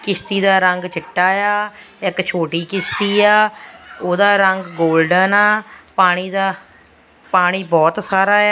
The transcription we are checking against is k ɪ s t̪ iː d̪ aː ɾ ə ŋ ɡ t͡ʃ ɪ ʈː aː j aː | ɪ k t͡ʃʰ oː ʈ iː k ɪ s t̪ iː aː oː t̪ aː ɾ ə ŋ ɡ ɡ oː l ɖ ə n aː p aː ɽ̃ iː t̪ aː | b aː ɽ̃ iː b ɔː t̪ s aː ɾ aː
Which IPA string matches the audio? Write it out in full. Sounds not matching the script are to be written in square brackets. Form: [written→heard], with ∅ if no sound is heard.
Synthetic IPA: k ɪ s t̪ iː d̪ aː ɾ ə ŋ ɡ t͡ʃ ɪ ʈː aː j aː | ɪ k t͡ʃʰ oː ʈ iː k ɪ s t̪ iː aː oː [t̪→d̪] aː ɾ ə ŋ ɡ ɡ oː l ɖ ə n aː p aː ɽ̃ iː [t̪→d̪] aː | [b→p] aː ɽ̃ iː b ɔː t̪ s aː ɾ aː